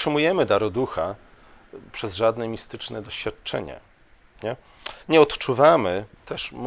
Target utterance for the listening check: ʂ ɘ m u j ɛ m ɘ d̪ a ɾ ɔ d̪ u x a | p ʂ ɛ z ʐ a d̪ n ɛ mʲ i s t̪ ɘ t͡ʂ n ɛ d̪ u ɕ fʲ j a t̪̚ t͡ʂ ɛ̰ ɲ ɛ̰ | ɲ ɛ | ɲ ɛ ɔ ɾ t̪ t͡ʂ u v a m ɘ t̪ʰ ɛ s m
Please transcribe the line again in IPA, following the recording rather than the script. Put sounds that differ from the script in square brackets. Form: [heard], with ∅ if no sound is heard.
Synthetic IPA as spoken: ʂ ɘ m u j ɛ m ɘ d̪ a ɾ ɔ d̪ u x a | p ʂ ɛ z ʐ a d̪ n ɛ mʲ i s t̪ ɘ t͡ʂ n ɛ d̪ [ɔ] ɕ fʲ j a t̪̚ t͡ʂ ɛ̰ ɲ ɛ̰ | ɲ ɛ | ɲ ɛ ɔ [∅] t̪ t͡ʂ u v a m ɘ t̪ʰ ɛ [ʂ] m